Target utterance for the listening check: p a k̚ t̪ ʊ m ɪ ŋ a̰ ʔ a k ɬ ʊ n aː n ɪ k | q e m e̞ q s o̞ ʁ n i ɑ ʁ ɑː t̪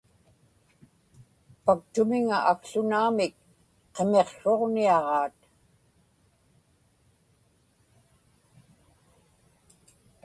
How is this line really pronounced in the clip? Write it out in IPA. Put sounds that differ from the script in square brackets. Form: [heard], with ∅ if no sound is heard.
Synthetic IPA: p a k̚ t̪ ʊ m ɪ ŋ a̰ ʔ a k ɬ ʊ n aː [m] ɪ k | q e m e̞ q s o̞ ʁ n i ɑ ʁ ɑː t̪